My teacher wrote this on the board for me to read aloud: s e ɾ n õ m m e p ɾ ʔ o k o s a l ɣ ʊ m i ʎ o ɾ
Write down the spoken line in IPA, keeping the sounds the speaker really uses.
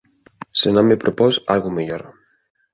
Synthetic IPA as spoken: s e n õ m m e p ɾ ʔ o p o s a l ɣ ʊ m e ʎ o ɾ